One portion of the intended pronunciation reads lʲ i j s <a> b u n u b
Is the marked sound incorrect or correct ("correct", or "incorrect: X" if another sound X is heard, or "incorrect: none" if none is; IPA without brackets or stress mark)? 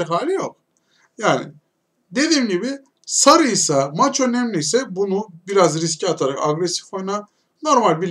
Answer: incorrect: ɛ